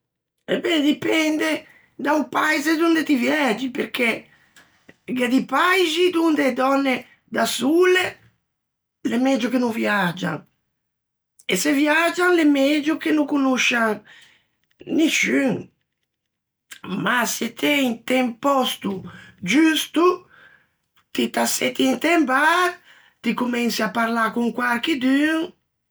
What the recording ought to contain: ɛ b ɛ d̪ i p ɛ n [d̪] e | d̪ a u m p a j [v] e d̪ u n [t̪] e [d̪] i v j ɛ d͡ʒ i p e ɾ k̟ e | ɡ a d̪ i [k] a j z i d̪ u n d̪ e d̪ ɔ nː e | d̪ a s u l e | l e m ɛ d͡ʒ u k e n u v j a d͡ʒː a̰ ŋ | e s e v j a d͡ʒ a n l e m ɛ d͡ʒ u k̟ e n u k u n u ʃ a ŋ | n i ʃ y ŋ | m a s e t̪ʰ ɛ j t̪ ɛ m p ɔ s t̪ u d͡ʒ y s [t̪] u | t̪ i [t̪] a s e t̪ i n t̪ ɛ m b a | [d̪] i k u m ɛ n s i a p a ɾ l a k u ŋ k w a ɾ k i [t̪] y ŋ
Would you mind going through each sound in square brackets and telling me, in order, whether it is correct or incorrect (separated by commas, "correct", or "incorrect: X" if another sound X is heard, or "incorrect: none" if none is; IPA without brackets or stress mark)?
correct, incorrect: z, incorrect: d̪, incorrect: t̪, incorrect: p, correct, correct, incorrect: t̪, incorrect: d̪